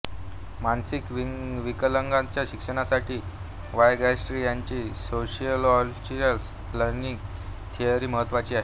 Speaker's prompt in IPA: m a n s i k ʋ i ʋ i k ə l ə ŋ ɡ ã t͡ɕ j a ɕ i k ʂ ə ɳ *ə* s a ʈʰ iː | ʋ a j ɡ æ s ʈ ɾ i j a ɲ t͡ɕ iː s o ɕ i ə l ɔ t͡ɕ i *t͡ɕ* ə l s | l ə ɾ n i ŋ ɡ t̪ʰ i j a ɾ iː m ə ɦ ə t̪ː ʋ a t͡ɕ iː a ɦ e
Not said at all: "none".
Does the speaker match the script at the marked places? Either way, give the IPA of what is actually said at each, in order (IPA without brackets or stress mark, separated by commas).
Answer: a, none